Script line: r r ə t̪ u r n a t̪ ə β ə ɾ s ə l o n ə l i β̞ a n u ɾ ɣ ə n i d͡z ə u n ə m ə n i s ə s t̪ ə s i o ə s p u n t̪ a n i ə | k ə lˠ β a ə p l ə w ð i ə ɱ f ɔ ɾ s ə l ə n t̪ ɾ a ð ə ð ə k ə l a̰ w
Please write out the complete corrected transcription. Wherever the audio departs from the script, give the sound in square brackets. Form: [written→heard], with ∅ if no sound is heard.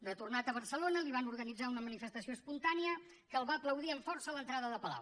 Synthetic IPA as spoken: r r ə t̪ u r n a t̪ ə β ə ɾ s ə l o n ə l i β̞ a n u ɾ ɣ ə n i d͡z [ə→a] u n ə m ə n i [s→f] ə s t̪ ə s i o ə s p u n t̪ a n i ə | k ə lˠ β a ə p l ə w ð i ə ɱ f ɔ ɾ s ə l ə n t̪ ɾ a ð ə ð ə [k→p] ə l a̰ w